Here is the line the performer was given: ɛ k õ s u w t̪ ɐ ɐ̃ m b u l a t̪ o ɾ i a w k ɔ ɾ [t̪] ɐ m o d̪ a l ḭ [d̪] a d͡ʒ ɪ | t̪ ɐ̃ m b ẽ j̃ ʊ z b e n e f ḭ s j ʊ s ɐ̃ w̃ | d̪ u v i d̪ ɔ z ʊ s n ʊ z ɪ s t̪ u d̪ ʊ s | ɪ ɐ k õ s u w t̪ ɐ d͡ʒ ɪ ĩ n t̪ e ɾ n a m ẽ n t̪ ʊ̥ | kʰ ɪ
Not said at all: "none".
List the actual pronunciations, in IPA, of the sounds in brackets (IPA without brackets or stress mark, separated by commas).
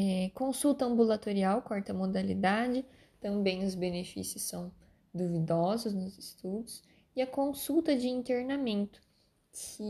t̪, d̪